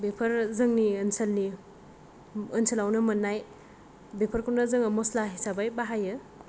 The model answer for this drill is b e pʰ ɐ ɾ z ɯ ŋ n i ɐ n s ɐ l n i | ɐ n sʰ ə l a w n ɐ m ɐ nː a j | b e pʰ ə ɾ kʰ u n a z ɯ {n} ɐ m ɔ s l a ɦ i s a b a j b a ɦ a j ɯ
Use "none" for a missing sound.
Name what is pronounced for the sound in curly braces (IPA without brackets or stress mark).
ŋ